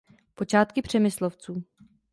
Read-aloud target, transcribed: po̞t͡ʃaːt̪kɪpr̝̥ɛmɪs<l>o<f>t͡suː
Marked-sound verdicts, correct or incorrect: correct, correct

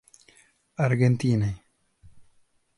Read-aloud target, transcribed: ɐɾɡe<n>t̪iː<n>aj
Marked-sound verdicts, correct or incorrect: correct, correct

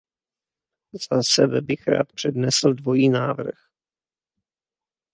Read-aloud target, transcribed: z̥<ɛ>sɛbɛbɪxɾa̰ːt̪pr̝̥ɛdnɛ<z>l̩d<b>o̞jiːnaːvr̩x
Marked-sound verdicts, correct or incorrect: incorrect: a, incorrect: s, incorrect: v

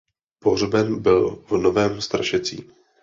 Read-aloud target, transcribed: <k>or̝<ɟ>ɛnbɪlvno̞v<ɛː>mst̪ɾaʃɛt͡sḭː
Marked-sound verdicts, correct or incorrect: incorrect: p, incorrect: b, correct

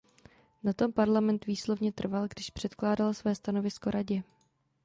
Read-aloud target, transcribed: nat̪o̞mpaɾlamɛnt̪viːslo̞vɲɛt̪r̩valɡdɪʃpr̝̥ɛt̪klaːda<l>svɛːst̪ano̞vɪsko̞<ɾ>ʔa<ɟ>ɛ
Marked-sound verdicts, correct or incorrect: correct, correct, correct

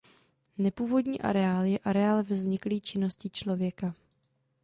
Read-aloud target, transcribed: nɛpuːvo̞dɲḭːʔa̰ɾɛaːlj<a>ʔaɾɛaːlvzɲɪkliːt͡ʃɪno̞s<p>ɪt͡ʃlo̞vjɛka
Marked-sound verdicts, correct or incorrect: incorrect: ɛ, incorrect: c

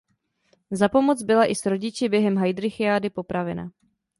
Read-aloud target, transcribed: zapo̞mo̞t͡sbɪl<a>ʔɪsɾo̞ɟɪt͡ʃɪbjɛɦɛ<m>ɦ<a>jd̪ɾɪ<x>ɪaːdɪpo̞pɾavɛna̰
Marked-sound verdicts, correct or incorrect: correct, correct, correct, correct

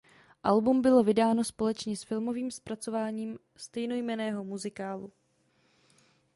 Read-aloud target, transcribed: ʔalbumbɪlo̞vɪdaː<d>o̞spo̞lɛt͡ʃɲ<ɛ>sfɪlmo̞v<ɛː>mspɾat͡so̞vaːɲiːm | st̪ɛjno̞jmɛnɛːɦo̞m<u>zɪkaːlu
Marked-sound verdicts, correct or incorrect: incorrect: n, correct, incorrect: iː, correct

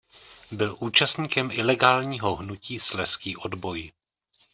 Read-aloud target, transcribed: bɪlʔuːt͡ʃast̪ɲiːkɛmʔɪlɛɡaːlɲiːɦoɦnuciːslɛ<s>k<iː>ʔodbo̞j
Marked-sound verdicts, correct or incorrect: correct, correct

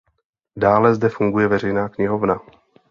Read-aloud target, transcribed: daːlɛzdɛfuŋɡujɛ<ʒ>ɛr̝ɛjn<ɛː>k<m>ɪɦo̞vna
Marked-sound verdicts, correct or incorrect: incorrect: v, incorrect: aː, incorrect: ɲ

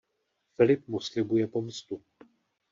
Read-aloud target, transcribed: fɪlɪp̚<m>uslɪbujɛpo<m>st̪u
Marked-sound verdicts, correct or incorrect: correct, correct

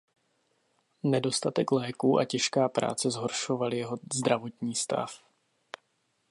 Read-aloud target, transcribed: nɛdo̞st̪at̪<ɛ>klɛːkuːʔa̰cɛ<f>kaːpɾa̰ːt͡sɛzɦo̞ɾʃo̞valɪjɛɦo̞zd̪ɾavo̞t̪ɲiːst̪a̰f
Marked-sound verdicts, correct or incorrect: correct, incorrect: ʃ

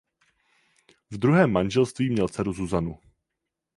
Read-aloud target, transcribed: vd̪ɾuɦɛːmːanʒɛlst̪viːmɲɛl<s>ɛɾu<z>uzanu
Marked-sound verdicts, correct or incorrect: incorrect: t͡s, correct

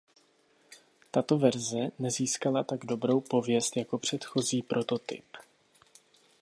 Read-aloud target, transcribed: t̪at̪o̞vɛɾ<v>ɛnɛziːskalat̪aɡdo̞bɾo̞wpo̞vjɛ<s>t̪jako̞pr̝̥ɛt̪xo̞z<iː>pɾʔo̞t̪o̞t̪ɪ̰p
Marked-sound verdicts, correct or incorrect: incorrect: z, correct, correct

